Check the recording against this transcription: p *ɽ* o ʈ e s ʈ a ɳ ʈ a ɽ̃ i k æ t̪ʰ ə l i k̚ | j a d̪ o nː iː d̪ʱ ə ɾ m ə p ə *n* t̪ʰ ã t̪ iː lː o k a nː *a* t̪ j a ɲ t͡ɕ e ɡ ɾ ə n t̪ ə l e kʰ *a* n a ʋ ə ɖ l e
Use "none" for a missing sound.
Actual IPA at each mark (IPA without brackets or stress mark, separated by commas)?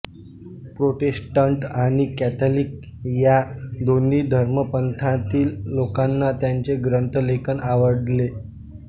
ɾ, n, a, ə